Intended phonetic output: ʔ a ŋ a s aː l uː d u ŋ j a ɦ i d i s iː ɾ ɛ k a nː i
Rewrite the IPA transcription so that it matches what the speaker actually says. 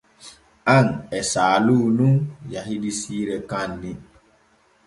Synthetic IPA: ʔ a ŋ ɛ s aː l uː n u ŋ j a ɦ i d i s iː ɾ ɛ k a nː i